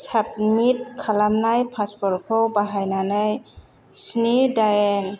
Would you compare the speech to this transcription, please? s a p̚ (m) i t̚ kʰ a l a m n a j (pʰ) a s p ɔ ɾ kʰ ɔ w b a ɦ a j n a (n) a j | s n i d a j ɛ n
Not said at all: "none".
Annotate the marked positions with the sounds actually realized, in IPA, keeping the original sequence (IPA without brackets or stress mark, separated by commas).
m, pʰ, n